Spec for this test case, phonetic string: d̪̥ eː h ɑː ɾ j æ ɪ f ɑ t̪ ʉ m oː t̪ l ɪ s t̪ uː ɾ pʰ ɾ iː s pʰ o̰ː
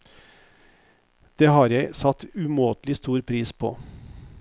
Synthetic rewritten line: d̪̥ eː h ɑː ɾ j æ ɪ s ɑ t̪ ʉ m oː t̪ l ɪ s t̪ uː ɾ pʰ ɾ iː s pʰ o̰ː